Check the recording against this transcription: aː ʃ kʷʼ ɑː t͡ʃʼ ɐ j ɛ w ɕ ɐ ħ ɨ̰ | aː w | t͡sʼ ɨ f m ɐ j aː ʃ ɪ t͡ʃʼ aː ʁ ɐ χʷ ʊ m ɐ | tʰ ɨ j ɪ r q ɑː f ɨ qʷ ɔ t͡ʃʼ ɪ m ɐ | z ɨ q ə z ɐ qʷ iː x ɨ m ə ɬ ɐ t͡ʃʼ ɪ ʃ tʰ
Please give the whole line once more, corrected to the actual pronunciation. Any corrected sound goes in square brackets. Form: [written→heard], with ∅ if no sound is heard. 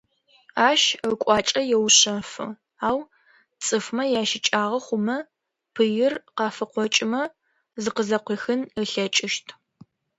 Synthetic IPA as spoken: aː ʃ kʷʼ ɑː t͡ʃʼ ɐ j ɛ w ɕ ɐ [ħ→f] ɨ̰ | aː w | t͡sʼ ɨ f m ɐ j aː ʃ ɪ t͡ʃʼ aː ʁ ɐ χʷ ʊ m ɐ | [tʰ→pʰ] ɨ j ɪ r q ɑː f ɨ qʷ ɔ t͡ʃʼ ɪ m ɐ | z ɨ q ə z ɐ qʷ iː x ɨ [m→n] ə ɬ ɐ t͡ʃʼ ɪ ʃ tʰ